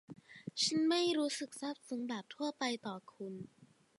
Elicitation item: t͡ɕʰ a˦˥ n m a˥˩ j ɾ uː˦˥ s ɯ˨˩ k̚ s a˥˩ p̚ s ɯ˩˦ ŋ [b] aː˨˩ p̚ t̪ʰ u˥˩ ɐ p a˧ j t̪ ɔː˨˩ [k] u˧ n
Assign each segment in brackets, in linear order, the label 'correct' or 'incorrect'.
correct, incorrect

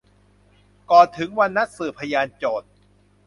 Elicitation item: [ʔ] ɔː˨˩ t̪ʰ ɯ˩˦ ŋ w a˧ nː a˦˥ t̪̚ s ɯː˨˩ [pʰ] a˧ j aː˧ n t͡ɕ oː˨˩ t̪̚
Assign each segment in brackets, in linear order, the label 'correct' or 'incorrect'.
incorrect, correct

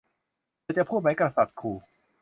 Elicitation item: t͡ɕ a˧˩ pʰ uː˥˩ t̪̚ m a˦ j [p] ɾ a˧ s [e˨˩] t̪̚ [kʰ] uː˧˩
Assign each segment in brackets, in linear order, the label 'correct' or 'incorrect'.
incorrect, incorrect, correct

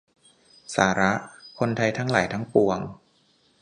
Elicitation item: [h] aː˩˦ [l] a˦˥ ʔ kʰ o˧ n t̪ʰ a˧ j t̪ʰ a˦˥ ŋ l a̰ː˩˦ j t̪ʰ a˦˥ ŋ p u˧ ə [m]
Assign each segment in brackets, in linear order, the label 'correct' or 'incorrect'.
incorrect, incorrect, incorrect

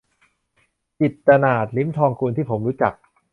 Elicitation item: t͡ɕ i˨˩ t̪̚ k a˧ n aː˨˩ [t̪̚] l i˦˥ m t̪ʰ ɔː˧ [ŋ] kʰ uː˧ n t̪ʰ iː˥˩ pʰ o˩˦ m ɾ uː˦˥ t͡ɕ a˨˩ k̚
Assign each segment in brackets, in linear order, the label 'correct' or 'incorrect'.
correct, correct

